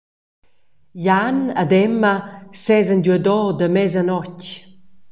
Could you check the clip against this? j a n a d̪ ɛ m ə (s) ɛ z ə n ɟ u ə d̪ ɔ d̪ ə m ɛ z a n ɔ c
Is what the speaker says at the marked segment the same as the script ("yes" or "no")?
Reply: yes